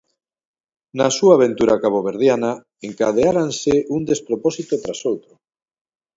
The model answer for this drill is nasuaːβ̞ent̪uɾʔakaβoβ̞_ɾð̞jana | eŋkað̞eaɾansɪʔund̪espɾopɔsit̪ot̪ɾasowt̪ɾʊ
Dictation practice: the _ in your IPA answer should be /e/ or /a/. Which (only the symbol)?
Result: e